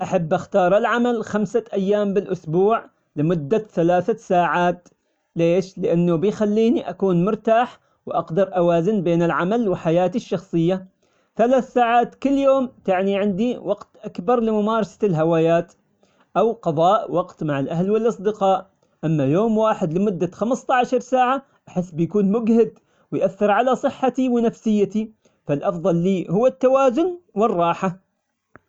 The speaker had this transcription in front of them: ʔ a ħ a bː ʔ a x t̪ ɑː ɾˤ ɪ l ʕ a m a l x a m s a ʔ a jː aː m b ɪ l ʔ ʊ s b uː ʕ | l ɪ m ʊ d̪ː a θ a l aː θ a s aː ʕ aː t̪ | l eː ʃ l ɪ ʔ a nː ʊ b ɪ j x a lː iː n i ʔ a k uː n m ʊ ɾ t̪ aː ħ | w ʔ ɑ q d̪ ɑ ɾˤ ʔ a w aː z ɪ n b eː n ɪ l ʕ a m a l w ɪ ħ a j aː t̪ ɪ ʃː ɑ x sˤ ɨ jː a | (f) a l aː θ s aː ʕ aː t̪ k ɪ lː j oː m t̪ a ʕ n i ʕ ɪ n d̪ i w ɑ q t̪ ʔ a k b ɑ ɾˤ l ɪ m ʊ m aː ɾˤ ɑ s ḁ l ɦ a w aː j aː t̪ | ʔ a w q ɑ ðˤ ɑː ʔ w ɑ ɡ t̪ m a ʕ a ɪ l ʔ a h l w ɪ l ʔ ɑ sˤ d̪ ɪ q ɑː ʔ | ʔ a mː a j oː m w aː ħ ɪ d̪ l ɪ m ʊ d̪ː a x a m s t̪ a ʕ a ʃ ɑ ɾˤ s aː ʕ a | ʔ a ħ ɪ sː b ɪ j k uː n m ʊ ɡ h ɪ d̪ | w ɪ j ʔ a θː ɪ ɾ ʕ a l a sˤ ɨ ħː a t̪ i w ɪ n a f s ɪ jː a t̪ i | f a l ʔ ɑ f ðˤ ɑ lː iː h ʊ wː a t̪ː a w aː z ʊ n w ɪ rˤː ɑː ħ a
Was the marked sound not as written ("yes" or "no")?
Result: yes